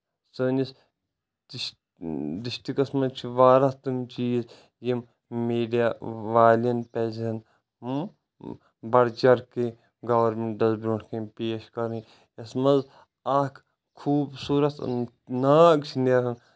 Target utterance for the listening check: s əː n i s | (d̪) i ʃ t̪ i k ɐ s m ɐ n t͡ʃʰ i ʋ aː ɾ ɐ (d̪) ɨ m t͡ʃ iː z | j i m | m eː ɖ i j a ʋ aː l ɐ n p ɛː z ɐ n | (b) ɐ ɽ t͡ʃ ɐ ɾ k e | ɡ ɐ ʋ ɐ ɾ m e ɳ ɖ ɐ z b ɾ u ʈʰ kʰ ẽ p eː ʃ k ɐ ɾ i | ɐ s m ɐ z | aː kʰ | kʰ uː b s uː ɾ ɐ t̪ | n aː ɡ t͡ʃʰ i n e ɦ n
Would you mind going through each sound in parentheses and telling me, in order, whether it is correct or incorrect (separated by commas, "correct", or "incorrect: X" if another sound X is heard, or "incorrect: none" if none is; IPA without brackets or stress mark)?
correct, incorrect: t̪, correct